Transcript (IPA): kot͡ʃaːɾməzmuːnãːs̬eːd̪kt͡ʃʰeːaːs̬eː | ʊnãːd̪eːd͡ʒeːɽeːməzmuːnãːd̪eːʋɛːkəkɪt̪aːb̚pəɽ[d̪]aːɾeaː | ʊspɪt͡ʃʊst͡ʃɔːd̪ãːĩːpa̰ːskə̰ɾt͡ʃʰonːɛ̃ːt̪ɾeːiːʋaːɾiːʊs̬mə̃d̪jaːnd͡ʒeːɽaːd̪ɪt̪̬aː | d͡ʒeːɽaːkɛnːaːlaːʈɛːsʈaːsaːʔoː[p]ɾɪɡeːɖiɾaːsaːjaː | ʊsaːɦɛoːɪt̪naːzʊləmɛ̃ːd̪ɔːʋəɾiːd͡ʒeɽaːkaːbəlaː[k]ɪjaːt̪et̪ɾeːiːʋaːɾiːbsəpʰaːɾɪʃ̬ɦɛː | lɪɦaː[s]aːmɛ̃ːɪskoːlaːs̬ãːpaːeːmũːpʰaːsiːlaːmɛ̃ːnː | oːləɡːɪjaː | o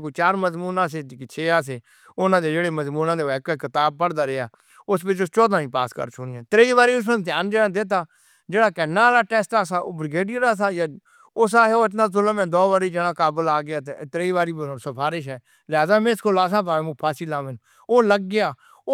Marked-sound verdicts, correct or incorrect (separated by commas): correct, incorrect, incorrect, incorrect